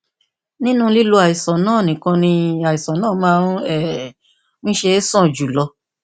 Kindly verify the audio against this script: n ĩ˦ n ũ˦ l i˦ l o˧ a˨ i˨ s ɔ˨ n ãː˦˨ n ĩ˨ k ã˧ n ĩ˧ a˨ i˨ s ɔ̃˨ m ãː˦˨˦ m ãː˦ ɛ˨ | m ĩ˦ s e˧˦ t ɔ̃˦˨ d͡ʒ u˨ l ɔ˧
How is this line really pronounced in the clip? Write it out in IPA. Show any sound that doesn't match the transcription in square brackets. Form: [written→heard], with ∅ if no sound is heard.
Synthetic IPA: n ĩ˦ n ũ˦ l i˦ l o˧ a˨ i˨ s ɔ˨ n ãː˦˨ n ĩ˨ k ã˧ n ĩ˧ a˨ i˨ s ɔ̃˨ [m→n] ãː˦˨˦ m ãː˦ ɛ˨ | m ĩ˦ [s→ʃ] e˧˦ [t→s] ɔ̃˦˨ d͡ʒ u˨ l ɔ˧